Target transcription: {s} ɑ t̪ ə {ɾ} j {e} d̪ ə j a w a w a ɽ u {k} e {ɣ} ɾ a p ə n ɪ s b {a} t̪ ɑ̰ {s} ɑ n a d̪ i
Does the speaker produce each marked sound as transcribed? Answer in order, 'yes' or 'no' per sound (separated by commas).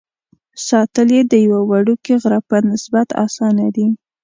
yes, no, yes, yes, yes, yes, yes